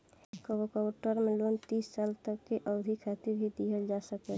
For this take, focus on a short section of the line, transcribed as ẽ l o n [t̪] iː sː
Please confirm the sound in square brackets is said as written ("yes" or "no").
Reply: yes